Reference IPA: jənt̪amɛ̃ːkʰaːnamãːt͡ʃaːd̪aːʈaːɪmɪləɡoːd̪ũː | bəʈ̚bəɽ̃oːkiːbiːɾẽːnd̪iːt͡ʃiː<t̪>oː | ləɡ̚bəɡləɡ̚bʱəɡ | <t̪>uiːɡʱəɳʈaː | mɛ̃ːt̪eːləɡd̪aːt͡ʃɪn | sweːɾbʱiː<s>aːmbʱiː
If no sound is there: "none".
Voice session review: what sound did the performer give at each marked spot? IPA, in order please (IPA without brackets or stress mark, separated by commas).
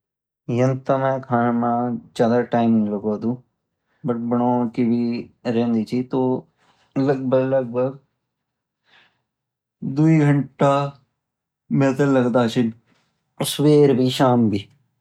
t̪, d̪, ʃ